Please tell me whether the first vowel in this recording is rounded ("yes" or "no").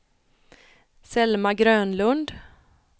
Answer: no